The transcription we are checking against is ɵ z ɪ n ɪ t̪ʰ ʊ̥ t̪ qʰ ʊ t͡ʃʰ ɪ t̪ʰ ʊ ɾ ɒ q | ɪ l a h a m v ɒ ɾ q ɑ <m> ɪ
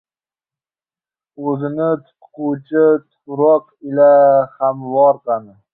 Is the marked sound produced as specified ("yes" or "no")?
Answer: no